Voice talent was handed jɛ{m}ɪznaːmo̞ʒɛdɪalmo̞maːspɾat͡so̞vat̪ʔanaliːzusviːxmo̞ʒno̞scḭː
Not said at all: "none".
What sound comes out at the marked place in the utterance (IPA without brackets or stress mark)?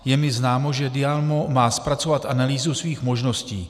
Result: m